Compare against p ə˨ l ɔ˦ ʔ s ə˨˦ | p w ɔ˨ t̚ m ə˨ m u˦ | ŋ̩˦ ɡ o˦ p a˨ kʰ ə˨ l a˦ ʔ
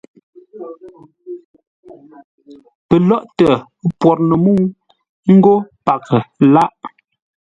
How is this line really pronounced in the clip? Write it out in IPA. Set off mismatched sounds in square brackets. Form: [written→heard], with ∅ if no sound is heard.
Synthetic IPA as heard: p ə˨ l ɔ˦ ʔ [s→t] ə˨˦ | p w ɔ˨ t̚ [m→n] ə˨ m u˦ | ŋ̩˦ ɡ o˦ p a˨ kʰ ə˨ l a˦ ʔ